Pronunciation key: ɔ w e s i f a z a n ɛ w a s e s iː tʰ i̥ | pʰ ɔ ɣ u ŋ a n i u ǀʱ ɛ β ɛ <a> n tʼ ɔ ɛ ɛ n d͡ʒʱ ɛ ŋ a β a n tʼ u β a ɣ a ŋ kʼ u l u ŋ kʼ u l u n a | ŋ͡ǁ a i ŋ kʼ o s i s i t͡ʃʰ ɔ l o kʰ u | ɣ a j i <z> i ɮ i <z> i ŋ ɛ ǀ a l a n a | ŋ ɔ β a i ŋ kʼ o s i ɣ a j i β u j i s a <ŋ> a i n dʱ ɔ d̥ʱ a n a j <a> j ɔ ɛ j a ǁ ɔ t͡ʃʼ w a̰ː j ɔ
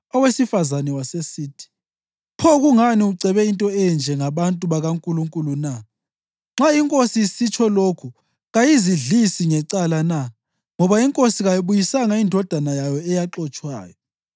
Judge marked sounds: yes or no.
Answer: no, yes, no, yes, yes

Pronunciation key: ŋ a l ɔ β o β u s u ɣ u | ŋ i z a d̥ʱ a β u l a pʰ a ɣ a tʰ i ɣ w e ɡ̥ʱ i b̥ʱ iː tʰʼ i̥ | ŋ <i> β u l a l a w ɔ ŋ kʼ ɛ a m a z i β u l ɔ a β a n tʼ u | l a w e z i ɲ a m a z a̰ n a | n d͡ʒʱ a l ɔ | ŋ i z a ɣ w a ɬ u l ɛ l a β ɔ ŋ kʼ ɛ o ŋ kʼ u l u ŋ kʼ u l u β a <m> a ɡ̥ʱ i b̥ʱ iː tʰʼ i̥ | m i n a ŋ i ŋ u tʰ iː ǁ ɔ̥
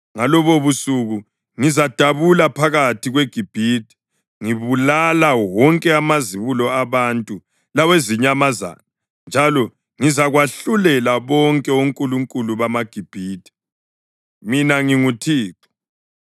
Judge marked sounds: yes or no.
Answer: yes, yes

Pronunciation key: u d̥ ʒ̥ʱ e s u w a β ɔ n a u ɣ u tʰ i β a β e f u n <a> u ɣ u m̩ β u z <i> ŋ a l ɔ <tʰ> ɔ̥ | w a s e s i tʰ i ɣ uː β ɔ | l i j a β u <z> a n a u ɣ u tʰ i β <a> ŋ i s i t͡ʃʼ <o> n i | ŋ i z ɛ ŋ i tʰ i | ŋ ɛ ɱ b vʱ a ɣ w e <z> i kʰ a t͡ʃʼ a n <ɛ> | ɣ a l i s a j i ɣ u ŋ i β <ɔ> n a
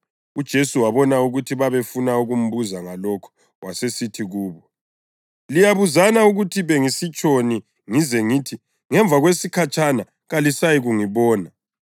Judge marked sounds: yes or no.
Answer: yes, no, no, yes, no, yes, no, no, no

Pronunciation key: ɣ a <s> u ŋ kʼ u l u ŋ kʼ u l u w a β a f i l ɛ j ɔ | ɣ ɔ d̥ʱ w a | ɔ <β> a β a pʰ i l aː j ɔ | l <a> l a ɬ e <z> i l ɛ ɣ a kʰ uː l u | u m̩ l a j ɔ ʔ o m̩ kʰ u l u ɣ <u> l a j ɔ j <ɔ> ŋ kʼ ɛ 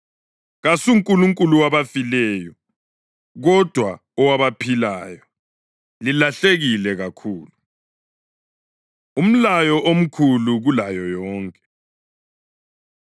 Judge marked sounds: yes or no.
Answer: yes, no, no, no, yes, no

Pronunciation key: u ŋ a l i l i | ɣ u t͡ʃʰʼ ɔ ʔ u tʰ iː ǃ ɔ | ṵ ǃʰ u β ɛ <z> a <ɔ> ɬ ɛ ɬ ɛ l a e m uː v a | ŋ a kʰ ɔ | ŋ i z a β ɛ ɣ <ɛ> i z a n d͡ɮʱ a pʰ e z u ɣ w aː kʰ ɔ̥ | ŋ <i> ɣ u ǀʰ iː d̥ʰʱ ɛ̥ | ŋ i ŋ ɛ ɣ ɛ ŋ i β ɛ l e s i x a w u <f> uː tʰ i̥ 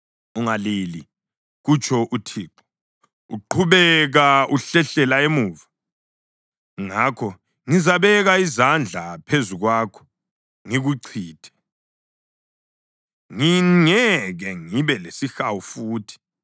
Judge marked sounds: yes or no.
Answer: no, no, no, yes, yes

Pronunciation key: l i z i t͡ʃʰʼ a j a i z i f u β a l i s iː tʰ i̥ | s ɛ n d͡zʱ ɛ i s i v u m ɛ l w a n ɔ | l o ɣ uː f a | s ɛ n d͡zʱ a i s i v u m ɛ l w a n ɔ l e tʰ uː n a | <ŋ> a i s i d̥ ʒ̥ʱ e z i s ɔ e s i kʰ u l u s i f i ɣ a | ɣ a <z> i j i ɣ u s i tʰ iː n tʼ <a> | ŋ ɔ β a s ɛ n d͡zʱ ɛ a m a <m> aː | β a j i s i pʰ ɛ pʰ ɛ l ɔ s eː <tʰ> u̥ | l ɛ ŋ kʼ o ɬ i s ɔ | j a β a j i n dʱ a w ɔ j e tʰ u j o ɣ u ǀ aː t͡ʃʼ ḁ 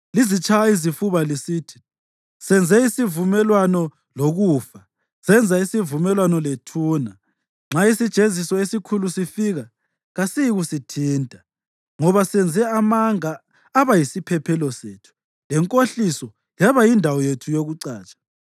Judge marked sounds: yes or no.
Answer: no, no, yes, no, yes

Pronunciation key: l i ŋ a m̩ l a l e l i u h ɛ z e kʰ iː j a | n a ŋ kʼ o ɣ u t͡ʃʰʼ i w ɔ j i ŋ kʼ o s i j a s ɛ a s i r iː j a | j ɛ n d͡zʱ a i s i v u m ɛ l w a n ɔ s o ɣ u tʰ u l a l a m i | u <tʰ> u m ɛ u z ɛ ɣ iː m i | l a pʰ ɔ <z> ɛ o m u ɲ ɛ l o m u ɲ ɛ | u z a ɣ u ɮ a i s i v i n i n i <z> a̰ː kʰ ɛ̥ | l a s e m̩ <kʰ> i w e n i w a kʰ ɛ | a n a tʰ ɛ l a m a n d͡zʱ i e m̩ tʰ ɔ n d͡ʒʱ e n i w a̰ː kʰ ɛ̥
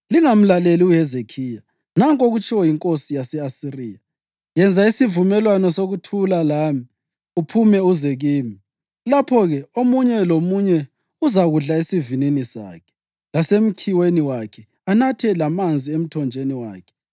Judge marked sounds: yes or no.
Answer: no, no, no, yes

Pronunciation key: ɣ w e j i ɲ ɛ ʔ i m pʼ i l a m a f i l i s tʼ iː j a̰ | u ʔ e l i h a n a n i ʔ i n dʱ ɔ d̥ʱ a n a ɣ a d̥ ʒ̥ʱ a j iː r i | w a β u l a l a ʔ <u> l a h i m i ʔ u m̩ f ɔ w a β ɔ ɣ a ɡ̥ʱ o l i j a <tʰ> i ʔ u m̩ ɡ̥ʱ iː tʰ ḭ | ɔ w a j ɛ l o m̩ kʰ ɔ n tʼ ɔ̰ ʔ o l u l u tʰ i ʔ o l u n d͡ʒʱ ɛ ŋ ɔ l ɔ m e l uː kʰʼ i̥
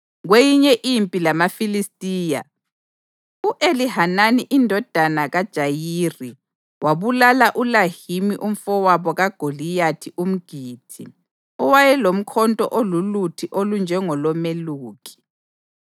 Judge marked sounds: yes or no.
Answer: yes, yes

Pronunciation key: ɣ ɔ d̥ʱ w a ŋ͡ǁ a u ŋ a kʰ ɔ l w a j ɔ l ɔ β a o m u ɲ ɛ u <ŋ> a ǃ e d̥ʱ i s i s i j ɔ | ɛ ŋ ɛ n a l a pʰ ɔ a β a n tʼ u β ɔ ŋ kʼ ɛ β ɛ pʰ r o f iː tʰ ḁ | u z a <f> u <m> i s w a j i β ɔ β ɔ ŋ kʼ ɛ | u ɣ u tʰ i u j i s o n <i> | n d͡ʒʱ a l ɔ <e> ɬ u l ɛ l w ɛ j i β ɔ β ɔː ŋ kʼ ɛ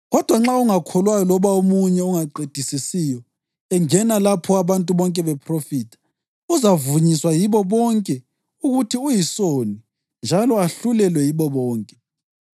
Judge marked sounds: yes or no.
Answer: yes, no, no, yes, no

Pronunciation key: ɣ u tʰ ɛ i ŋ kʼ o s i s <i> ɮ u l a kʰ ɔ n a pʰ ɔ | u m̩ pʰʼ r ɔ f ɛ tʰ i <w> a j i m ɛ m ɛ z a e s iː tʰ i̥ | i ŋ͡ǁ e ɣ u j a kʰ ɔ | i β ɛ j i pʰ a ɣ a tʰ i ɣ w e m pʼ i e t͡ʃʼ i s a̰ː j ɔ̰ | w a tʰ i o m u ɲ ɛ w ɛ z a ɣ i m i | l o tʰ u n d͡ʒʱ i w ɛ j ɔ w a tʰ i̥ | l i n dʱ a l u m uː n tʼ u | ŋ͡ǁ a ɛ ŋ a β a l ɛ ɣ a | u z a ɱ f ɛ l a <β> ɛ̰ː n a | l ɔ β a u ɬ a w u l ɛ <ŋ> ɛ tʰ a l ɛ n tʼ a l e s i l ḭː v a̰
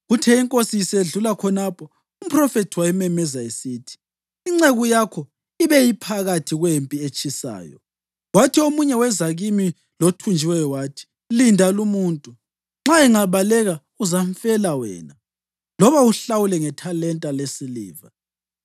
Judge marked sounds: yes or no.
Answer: no, yes, no, yes

